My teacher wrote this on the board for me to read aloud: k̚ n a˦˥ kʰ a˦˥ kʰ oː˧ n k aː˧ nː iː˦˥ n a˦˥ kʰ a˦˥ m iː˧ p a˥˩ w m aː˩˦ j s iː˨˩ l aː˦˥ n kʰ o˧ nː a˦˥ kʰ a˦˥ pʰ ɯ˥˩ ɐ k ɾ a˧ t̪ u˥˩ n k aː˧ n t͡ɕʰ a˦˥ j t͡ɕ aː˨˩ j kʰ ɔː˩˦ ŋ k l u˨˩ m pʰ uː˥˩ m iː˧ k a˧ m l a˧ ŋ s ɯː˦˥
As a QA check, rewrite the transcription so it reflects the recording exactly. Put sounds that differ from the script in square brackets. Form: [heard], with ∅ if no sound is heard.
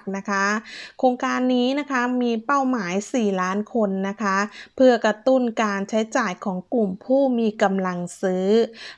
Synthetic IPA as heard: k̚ n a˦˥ kʰ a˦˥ kʰ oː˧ [ŋ] k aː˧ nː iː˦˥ n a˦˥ kʰ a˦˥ m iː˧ p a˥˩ w m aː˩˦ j s iː˨˩ l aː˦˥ n kʰ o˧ nː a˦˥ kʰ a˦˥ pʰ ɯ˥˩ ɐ k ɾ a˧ t̪ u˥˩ n k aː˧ n t͡ɕʰ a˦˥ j t͡ɕ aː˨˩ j kʰ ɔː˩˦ ŋ k l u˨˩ m pʰ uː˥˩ m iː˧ k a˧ m l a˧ ŋ s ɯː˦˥